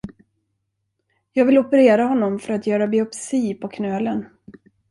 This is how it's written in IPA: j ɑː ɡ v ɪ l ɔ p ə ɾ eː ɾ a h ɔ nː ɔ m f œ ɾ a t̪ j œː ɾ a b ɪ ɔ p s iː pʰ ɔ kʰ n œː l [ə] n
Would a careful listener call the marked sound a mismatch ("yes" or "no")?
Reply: no